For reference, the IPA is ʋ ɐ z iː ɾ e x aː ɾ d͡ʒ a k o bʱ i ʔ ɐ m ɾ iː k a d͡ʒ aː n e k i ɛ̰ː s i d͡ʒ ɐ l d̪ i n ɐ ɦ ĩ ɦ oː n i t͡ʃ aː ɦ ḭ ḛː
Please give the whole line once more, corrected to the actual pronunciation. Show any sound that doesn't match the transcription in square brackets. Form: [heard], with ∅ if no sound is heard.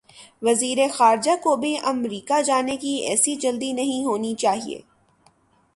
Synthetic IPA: ʋ ɐ z iː ɾ e x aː ɾ d͡ʒ a k o bʱ i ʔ ɐ m ɾ iː k a d͡ʒ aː n e k i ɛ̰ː s i d͡ʒ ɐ l d̪ i n ɐ ɦ ĩ ɦ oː n i t͡ʃ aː ɦ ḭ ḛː